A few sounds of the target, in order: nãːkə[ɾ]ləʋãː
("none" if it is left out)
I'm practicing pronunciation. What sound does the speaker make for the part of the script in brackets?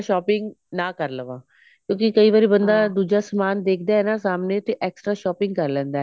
ɾ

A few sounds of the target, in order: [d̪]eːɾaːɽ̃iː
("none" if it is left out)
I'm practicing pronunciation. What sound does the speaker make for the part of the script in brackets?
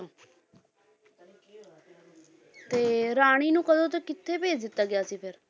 t̪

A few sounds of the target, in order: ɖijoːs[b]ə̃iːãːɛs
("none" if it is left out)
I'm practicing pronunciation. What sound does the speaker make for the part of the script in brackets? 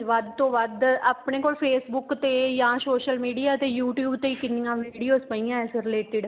p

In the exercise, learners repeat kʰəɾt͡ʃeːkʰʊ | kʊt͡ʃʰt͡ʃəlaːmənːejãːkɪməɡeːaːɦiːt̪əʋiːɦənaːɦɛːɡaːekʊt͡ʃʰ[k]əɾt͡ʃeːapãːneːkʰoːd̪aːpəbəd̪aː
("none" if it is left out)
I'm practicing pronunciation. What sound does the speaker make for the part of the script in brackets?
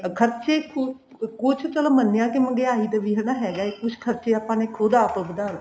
kʰ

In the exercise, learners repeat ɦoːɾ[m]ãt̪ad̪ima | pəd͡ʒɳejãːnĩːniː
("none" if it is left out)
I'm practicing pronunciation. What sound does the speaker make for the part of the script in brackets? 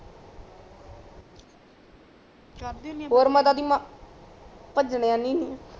m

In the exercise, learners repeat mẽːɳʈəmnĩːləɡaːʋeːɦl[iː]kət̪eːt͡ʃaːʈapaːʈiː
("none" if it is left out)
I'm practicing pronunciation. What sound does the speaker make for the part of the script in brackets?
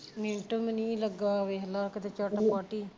aː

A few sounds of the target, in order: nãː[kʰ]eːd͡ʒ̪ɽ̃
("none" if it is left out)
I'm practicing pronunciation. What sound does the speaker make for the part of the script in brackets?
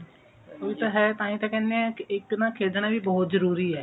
kʰ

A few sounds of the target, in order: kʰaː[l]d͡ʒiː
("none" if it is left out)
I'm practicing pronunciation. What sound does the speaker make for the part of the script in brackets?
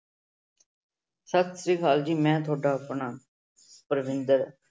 l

